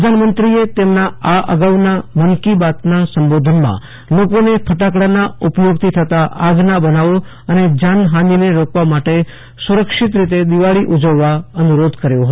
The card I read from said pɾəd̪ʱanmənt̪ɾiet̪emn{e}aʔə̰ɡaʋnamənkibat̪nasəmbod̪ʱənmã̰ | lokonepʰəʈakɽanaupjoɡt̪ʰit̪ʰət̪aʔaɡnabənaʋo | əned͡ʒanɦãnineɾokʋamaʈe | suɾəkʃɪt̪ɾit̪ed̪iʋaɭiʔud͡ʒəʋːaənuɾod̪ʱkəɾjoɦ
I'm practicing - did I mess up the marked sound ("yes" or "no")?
yes